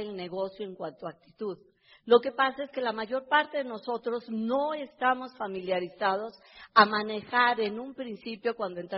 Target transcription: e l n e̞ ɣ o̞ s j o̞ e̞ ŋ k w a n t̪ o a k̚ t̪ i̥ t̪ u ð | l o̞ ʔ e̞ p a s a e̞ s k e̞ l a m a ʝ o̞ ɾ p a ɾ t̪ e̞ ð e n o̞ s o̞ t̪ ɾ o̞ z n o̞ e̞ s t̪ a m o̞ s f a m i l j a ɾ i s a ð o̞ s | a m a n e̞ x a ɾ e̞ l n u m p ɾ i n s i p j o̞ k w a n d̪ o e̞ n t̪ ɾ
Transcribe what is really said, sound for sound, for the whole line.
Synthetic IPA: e l n e̞ ɣ o̞ s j o̞ e̞ ŋ k w a n t̪ o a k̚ t̪ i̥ t̪ u ð | l o̞ k e̞ p a s a e̞ s k e̞ l a m a ʝ o̞ ɾ p a ɾ t̪ e̞ ð e n o̞ s o̞ t̪ ɾ o̞ z n o̞ e̞ s t̪ a m o̞ s f a m i l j a ɾ i s a ð o̞ s | a m a n e̞ x a ɾ e̞ n u m p ɾ i n s i p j o̞ k w a n d̪ o e̞ n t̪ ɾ